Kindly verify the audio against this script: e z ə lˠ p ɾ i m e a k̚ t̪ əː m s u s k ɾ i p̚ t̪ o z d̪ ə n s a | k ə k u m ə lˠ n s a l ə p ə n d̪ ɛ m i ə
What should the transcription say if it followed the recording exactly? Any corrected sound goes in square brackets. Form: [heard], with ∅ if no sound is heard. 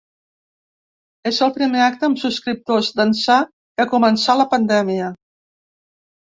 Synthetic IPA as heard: e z ə lˠ p ɾ i m e a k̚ t̪ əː m s u s k ɾ i p̚ t̪ o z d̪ ə n s a | k ə k u m ə [∅] n s a l ə p ə n d̪ ɛ m i ə